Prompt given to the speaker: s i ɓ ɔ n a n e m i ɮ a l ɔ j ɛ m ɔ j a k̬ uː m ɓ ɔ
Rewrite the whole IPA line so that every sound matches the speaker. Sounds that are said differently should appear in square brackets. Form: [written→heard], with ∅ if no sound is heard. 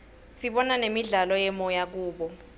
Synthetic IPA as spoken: s i ɓ ɔ n a n e m i ɮ a l ɔ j ɛ m ɔ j a k̬ uː [m→∅] ɓ ɔ